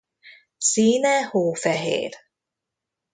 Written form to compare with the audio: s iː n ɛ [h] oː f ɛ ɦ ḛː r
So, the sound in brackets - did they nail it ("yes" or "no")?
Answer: yes